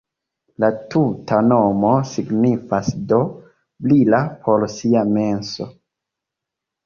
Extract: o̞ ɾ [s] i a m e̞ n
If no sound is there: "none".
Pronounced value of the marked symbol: s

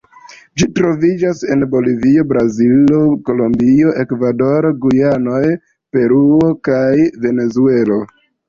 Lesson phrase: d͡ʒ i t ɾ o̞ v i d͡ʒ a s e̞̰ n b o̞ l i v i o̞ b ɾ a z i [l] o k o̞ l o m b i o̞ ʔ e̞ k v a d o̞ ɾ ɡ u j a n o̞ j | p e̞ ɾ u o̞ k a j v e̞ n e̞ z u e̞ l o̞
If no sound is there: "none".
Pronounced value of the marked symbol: l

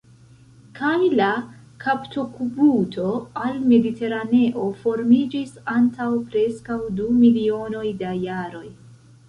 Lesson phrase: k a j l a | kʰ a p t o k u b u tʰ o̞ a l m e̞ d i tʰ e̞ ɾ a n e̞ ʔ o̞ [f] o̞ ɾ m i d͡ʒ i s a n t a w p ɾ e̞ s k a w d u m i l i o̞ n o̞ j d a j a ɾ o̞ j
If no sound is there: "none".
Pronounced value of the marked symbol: f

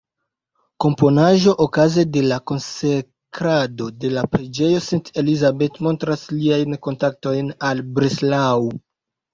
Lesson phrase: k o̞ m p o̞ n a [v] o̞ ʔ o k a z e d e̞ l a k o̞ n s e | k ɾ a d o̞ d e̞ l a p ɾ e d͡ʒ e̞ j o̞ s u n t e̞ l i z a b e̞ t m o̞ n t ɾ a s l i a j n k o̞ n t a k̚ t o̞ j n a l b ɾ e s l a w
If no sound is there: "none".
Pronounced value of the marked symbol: ʒ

